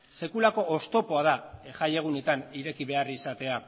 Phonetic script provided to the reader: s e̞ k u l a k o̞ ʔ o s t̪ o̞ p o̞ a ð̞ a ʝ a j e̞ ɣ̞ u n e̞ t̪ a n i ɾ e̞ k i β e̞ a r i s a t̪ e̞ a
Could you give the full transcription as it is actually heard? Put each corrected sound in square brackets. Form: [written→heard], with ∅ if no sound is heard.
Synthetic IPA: s e̞ k u l a k o̞ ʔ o s t̪ o̞ p o̞ a ð̞ a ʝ a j e̞ ɣ̞ u n e̞ t̪ a n i ɾ e̞ k i β e̞ a r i s a t̪ e̞ a